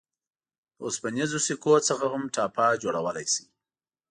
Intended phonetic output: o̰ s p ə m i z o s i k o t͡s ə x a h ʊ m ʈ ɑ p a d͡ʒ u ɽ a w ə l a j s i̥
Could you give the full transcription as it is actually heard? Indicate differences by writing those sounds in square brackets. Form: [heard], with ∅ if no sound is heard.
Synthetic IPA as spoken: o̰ s p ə [n] i z o s i k o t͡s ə x a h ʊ m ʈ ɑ p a d͡ʒ [o] ɽ a w ə l a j s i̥

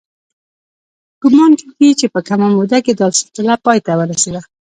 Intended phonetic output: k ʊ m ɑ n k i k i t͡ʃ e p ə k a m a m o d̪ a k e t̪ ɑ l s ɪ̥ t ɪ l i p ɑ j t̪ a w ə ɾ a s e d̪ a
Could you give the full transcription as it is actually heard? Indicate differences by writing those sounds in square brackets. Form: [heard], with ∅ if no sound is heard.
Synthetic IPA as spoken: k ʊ m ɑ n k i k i t͡ʃ e p ə k a m a m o d̪ a k e [d̪] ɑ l s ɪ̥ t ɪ l [a] p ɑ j t̪ a w ə ɾ a s e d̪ a

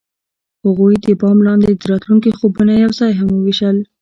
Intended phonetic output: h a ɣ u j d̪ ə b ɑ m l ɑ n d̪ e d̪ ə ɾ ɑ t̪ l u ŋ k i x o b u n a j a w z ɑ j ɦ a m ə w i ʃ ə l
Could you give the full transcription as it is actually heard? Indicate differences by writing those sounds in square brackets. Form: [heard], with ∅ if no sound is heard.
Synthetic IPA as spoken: h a ɣ u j d̪ ə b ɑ m l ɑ n d̪ e d̪ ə ɾ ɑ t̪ l u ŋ k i x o b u n a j a w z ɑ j ɦ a m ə w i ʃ ə l

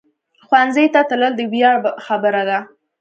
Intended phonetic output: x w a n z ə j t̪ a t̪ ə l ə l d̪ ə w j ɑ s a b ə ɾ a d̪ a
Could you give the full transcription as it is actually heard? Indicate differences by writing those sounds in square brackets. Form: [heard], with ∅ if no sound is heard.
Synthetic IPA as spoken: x w a n z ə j t̪ a t̪ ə l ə l d̪ ə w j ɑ [x] a b ə ɾ a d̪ a

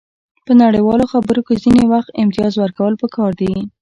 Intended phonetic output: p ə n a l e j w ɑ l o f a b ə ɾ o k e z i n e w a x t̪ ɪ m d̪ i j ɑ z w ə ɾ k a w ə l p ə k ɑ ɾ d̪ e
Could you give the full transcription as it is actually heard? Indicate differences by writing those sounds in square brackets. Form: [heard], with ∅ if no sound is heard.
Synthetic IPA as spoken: p ə n a [ɽ] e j w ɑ l o [x] a b ə ɾ o k e z i n e w a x t̪ ɪ m [t̪] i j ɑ z w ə ɾ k a w ə l p ə k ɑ ɾ d̪ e

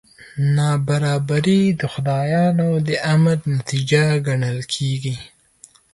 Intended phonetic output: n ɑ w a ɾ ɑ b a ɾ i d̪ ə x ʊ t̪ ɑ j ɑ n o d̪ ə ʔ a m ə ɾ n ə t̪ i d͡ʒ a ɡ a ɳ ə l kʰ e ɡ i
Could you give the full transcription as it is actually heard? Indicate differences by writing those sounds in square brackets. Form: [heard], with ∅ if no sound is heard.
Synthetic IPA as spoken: n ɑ [b] a ɾ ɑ b a ɾ i d̪ ə x ʊ [d̪] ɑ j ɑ n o d̪ ə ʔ a m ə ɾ n [a] t̪ i d͡ʒ a ɡ a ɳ ə l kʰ e ɡ i

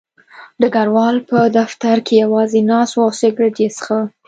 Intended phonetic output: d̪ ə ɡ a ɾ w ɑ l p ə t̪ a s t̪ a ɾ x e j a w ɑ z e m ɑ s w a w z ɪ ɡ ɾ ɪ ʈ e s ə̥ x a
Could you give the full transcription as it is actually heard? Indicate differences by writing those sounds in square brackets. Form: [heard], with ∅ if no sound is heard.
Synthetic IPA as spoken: d̪ ə ɡ a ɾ w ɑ l p ə [d̪] a [f] t̪ a ɾ [k] e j a w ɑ z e [n] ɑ s w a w [s] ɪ ɡ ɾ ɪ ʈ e s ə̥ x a

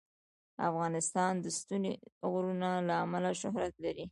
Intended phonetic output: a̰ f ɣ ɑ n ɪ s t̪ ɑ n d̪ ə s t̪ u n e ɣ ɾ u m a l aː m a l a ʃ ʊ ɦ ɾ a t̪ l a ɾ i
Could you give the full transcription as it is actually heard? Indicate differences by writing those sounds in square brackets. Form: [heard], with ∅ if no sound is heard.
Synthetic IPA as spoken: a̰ f ɣ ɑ n ɪ s t̪ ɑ n d̪ ə s t̪ u n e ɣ ɾ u [n] a l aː m a l a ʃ ʊ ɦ ɾ a t̪ l a ɾ i

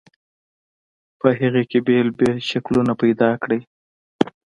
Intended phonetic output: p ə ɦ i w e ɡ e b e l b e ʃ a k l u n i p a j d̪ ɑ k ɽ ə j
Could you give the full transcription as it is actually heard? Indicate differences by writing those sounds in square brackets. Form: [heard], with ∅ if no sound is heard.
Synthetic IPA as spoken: p ə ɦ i [ɣ] e [k] e b e l b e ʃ a k l u n [a] p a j d̪ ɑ k ɽ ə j

